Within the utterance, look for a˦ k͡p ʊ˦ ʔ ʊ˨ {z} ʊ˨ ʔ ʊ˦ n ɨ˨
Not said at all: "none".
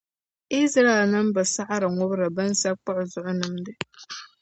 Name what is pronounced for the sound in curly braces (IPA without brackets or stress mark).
z